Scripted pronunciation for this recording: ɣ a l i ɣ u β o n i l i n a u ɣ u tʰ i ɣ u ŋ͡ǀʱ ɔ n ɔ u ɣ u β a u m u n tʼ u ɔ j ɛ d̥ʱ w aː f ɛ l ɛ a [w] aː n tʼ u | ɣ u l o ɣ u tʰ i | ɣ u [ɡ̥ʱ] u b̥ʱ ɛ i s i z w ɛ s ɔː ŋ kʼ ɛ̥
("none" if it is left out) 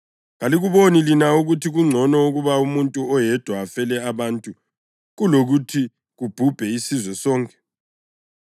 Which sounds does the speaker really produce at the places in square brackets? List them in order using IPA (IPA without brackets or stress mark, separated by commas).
β, b̥ʱ